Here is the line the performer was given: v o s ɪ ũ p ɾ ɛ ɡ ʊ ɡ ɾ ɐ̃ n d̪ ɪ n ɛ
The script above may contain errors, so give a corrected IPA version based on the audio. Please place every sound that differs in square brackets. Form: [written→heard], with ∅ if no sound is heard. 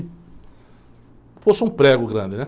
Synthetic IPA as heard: [v→f] o s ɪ ũ p ɾ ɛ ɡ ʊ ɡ ɾ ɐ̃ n d̪ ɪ n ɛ